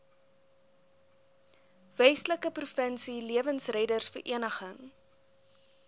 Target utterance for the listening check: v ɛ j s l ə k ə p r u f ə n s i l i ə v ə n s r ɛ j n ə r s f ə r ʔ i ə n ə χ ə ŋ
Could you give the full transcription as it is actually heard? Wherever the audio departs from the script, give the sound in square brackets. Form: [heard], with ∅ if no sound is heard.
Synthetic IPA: v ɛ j s l ə k ə p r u f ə n s i l i ə v ə n s r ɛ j [d] ə r s f ə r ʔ i ə n ə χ ə ŋ